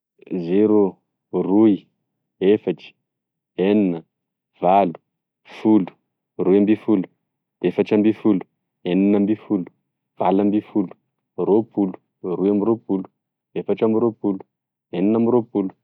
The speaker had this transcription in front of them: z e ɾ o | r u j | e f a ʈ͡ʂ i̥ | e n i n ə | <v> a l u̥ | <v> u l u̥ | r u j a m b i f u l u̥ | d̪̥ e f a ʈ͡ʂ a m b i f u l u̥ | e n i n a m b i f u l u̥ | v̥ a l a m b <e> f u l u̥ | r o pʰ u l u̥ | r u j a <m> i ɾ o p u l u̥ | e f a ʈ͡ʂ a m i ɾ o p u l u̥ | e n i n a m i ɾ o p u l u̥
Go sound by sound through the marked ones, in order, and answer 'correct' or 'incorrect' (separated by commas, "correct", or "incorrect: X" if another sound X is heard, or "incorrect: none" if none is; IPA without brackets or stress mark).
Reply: correct, incorrect: f, incorrect: i, correct